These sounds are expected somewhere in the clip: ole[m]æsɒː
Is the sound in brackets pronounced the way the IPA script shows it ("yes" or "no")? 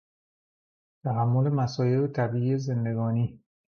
yes